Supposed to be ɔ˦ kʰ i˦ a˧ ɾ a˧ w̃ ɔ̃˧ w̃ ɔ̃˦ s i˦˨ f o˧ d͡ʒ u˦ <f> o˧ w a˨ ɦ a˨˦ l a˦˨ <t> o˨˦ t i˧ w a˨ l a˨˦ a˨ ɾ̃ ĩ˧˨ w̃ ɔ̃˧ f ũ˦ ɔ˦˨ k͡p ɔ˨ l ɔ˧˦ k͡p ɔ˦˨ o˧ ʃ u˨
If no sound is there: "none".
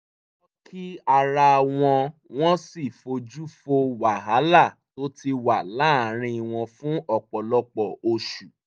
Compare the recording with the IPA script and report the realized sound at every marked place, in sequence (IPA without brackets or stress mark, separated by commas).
f, t